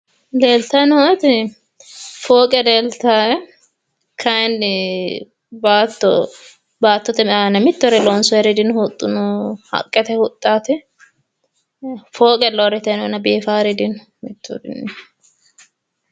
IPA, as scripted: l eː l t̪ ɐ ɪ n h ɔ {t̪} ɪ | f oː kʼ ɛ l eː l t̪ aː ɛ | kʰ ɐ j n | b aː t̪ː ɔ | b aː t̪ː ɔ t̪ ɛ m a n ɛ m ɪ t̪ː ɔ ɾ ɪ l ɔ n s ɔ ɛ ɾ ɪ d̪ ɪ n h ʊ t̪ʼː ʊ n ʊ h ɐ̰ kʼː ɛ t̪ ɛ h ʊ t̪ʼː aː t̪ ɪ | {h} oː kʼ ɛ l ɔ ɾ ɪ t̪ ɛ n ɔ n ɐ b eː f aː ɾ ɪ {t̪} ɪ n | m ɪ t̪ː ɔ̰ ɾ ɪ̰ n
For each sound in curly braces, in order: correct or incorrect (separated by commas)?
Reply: correct, incorrect, incorrect